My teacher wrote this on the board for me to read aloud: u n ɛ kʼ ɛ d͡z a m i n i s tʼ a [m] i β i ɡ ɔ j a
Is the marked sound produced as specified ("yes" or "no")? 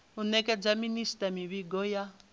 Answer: yes